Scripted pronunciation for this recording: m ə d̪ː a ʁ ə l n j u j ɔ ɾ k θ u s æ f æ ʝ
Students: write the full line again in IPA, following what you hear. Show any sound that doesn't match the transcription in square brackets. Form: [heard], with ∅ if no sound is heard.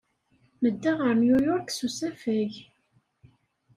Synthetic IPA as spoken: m ə d̪ː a ʁ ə [ɾ] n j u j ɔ ɾ k [s] u s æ f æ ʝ